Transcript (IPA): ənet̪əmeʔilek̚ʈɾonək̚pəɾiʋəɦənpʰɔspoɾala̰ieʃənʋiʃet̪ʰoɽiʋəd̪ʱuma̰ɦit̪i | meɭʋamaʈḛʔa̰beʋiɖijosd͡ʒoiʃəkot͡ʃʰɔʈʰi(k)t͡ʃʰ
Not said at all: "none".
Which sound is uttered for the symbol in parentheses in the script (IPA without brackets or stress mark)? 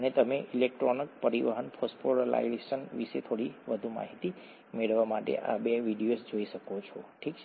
k